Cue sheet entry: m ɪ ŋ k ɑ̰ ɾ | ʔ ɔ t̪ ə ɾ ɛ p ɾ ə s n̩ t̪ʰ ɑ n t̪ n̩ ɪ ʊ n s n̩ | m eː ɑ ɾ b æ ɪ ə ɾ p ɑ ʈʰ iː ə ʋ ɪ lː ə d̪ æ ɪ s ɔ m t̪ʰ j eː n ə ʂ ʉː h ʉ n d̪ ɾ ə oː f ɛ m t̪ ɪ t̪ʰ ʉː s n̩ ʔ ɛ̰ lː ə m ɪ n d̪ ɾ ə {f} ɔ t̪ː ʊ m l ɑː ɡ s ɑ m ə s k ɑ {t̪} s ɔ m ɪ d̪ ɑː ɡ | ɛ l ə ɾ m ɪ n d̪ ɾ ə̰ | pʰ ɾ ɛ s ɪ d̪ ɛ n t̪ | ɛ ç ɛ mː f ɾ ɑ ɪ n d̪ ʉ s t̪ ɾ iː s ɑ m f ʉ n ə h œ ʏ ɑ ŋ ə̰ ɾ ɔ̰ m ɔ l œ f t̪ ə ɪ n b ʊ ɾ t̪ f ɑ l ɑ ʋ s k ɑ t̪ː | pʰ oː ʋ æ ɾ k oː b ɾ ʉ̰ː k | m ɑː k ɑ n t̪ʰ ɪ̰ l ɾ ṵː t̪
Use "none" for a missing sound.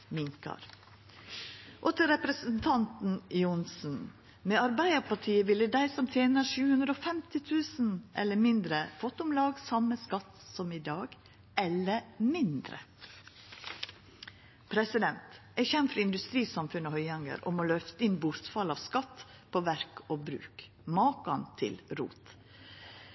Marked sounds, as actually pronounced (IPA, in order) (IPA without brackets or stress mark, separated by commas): f, t̪